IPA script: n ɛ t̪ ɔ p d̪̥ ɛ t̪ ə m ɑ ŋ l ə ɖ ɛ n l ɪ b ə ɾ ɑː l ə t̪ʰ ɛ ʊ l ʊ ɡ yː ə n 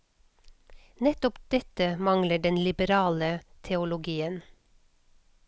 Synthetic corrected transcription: n ɛ t̪ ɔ p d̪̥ ɛ t̪ ə m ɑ ŋ l ə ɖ ɛ n l ɪ b ə ɾ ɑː l ə t̪ʰ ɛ ʊ l ʊ ɡ iː ə n